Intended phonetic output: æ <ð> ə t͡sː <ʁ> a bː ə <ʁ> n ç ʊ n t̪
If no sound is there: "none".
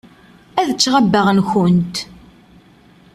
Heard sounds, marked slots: ð, ʁ, ʁ

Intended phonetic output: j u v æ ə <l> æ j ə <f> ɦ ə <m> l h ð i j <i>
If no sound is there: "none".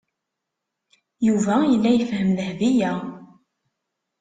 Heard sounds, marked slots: lː, f, m, æ

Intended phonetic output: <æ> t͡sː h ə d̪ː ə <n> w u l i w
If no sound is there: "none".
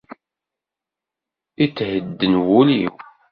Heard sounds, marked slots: i, n

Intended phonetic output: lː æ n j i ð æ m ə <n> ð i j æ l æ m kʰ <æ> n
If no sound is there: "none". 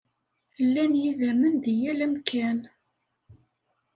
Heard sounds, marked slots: n, æ

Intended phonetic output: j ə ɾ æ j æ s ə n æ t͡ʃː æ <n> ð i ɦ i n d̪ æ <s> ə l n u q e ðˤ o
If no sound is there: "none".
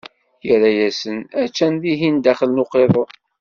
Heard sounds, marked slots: n, χ

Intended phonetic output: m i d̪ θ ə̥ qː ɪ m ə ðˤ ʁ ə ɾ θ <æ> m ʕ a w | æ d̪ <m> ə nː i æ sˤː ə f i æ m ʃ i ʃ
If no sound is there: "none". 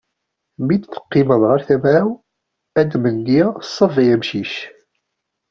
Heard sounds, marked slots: æ, m

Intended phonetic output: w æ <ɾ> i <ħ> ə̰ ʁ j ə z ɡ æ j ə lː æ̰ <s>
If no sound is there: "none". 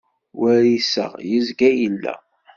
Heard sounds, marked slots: ɾ, s, none

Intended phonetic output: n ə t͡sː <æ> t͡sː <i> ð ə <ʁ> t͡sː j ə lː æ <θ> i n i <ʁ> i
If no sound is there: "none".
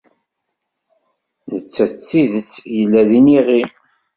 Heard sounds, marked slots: æ, i, none, ð, ʁ

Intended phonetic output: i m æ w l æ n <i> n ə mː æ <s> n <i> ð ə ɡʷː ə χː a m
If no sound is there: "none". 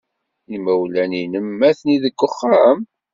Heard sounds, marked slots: i, θ, i

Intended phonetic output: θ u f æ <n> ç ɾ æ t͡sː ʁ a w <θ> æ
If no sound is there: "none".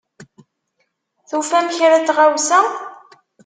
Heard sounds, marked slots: m, s

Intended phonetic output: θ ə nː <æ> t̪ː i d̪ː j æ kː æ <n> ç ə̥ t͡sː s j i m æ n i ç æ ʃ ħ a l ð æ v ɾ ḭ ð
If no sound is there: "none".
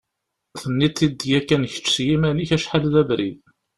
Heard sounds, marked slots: i, n

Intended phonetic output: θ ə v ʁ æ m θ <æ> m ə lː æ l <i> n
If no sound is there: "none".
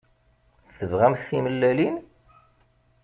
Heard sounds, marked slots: i, i

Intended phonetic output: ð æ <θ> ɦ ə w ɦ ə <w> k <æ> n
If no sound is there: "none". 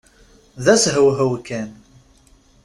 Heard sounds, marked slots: s, w, æ

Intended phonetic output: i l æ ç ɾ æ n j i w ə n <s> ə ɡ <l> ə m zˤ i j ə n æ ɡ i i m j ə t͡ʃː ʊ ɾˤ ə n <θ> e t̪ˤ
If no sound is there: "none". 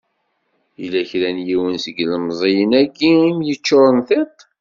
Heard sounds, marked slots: s, l, θ

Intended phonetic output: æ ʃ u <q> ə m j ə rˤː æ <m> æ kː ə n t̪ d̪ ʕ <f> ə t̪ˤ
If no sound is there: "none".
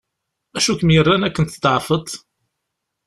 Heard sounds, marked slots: k, n, f

